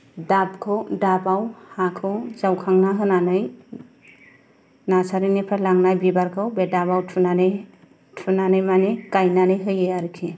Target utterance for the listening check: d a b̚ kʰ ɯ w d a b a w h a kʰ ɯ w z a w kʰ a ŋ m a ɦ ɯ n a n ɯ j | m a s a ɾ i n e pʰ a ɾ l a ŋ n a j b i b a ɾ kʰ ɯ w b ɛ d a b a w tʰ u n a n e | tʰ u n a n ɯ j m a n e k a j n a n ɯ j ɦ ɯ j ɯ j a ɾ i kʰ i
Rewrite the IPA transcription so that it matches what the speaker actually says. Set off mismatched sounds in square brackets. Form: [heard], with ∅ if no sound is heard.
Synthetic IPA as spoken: d a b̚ kʰ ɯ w d a b a w h a kʰ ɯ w z a w kʰ a ŋ [n] a ɦ ɯ n a n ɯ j | [n] a s a ɾ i n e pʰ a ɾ l a ŋ n a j b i b a ɾ kʰ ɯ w b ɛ d a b a w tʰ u n a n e | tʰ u n a n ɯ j m a n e k a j n a n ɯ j ɦ ɯ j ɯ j a ɾ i kʰ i